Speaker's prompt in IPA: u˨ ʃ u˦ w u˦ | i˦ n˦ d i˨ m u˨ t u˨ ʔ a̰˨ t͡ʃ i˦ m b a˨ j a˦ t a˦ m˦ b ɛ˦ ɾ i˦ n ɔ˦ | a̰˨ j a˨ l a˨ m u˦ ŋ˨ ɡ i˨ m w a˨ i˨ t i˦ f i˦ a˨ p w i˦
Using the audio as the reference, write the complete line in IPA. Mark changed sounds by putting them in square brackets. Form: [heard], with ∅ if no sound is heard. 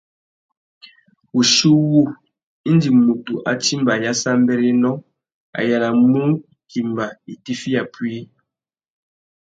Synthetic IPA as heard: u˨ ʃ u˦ w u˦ | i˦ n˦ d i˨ m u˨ t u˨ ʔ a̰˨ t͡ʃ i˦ m b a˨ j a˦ [s] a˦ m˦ b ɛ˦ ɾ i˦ n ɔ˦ | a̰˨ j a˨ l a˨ m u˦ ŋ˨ [k] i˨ m [b] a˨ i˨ t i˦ f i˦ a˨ p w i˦